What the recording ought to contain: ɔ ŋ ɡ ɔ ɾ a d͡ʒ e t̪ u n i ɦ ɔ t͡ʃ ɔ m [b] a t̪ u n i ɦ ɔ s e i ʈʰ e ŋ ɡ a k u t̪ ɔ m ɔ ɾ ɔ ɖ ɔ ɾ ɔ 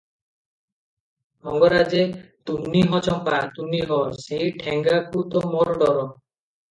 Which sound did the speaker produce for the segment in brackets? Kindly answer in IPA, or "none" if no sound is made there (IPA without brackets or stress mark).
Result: p